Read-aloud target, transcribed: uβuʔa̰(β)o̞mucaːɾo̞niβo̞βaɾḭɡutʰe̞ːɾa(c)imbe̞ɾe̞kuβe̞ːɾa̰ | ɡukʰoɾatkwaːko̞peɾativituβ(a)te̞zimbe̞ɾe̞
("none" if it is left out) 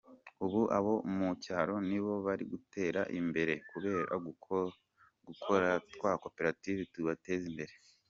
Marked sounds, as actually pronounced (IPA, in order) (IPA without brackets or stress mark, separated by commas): β, ʔ, a